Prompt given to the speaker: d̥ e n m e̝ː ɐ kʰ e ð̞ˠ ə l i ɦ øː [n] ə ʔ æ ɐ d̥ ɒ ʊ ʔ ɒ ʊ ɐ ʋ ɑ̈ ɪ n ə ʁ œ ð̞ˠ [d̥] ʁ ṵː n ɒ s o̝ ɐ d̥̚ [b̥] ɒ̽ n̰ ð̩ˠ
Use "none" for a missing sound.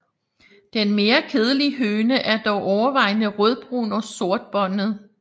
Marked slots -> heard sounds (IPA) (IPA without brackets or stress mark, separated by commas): n, b̥, b̥